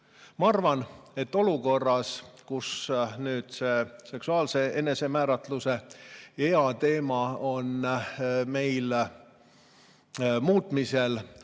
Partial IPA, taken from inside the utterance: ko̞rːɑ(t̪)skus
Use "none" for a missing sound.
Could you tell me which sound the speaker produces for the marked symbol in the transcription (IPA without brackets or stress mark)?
none